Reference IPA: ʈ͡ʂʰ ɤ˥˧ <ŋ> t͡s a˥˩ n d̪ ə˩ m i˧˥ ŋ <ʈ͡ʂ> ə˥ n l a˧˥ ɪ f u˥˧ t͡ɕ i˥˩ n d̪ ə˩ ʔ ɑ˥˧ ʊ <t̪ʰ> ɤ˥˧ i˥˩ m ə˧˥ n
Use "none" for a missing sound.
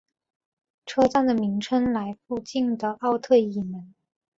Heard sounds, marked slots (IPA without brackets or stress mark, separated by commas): none, ʈ͡ʂʰ, t̪ʰ